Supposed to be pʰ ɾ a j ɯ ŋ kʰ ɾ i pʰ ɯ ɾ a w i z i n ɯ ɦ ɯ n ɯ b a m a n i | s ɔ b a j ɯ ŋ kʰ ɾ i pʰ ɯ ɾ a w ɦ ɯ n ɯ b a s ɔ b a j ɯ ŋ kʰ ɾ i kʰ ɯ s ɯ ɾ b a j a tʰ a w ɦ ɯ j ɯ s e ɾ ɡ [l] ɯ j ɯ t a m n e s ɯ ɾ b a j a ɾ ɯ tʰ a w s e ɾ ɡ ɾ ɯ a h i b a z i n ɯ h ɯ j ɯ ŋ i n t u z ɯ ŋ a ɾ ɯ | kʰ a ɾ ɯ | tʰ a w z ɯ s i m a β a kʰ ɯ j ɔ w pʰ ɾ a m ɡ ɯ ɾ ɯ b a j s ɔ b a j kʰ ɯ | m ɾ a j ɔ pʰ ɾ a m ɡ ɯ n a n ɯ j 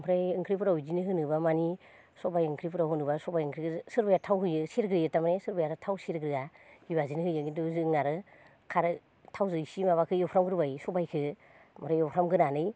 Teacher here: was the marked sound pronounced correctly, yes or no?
no